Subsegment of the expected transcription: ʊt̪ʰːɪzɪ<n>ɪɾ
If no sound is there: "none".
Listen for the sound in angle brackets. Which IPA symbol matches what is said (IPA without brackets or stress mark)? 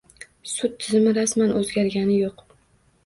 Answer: m